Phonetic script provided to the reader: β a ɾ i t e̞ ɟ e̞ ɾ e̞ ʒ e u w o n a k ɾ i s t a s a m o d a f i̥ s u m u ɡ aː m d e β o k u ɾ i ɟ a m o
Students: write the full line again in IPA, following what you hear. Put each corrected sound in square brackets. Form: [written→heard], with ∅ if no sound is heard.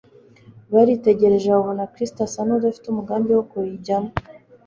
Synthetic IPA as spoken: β a ɾ i t e̞ ɟ e̞ ɾ e̞ ʒ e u [w→β] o n a k ɾ i s t a s a [m→n] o d a f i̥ [s→t] u m u ɡ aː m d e [β→w] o k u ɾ i ɟ a m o